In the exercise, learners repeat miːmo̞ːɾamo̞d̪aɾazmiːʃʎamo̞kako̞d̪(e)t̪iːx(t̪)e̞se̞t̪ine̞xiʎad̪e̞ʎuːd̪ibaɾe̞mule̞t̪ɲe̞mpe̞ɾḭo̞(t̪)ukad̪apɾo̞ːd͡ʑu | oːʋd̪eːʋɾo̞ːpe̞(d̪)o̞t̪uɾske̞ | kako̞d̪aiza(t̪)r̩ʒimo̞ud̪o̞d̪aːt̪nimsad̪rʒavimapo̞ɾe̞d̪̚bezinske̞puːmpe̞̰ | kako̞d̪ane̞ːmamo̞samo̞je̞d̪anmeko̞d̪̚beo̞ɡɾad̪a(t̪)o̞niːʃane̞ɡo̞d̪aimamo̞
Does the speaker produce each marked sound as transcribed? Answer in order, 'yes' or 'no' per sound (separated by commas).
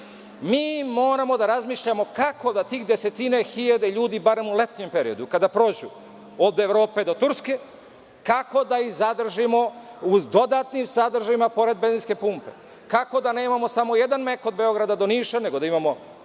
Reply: no, no, no, yes, no, no